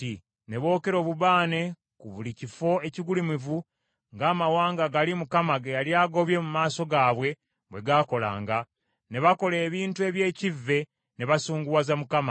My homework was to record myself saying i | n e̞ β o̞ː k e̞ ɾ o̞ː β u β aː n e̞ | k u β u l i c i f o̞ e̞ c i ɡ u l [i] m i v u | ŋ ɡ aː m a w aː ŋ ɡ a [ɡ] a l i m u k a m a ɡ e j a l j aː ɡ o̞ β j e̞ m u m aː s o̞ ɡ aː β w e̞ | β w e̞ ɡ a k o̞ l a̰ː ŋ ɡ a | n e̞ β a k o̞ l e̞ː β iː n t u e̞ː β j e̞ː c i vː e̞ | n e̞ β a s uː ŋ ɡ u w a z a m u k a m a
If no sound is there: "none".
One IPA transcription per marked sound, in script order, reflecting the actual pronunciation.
i, ɡ

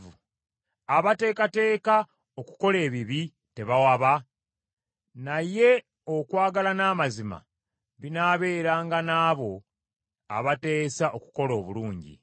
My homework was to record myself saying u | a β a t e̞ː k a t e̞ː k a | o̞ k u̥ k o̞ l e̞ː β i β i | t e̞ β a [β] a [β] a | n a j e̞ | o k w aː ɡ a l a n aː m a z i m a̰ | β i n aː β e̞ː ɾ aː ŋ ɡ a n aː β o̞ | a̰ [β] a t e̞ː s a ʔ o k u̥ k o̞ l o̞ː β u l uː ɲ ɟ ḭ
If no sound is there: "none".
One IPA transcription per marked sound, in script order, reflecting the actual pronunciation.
w, β, β

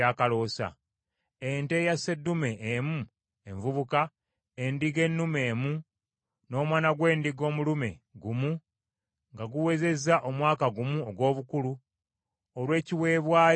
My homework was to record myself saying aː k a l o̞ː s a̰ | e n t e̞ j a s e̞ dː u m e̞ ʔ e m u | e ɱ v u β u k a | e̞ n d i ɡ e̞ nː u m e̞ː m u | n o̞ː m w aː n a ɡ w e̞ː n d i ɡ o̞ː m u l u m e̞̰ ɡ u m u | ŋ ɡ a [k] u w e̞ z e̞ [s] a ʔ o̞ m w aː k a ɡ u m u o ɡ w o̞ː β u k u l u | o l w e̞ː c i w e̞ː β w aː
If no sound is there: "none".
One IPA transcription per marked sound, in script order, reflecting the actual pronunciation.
ɡ, z

